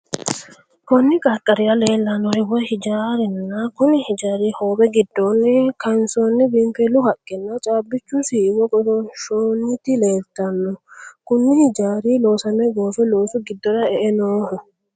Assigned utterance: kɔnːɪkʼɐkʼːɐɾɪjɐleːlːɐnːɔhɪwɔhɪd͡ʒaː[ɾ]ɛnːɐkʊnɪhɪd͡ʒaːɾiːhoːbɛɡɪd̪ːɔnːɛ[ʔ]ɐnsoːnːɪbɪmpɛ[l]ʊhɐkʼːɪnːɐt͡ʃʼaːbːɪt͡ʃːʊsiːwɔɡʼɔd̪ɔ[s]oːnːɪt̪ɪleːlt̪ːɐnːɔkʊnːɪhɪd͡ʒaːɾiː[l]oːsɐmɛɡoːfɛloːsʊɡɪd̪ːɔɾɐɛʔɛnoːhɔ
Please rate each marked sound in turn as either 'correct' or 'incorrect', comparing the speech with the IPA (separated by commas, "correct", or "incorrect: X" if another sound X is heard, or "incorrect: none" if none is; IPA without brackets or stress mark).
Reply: correct, incorrect: k, correct, incorrect: ʃ, correct